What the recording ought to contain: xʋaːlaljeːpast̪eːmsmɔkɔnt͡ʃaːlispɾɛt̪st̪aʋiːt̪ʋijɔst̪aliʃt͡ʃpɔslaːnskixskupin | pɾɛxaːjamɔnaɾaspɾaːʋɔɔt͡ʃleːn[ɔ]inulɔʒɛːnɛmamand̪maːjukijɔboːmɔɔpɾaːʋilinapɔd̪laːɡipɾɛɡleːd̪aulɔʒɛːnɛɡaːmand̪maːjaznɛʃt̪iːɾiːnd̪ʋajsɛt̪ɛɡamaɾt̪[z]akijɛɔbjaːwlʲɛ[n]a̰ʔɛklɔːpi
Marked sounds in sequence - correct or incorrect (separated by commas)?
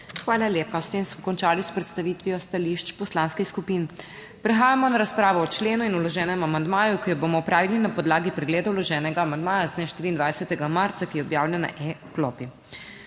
incorrect, incorrect, correct